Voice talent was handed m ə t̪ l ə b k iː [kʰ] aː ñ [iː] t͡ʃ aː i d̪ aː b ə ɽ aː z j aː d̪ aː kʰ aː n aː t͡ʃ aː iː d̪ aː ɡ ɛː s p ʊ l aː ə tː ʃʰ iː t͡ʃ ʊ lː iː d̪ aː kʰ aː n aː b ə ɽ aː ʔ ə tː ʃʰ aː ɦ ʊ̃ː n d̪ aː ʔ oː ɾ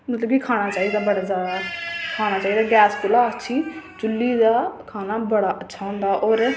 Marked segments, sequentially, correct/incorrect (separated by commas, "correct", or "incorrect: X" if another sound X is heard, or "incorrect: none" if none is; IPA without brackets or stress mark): correct, incorrect: aː